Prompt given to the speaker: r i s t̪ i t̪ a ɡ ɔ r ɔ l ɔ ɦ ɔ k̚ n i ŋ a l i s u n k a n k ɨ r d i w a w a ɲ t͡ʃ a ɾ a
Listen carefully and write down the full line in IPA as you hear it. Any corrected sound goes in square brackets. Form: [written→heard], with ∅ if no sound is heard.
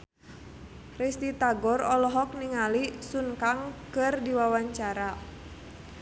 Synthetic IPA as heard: r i s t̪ i t̪ a ɡ ɔ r ɔ l ɔ ɦ ɔ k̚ n i ŋ a l i s u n k a [n→ŋ] k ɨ r d i w a w a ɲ t͡ʃ a ɾ a